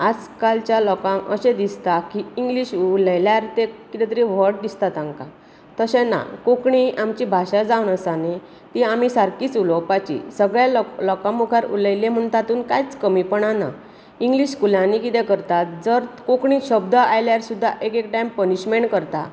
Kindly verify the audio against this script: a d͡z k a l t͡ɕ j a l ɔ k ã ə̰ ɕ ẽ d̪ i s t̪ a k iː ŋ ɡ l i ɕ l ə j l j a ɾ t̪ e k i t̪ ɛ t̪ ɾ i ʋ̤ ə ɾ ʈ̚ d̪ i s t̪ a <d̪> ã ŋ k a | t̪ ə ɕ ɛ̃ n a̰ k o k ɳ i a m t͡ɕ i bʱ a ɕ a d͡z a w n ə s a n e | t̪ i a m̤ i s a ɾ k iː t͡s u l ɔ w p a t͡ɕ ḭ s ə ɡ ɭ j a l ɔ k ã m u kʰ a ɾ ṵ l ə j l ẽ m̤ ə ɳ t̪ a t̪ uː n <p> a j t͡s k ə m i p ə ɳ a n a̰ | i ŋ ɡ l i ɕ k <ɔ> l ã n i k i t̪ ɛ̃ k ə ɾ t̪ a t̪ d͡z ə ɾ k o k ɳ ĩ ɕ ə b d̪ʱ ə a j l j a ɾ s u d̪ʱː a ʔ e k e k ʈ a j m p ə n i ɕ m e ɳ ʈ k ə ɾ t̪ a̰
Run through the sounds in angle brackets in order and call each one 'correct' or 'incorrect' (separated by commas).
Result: incorrect, incorrect, incorrect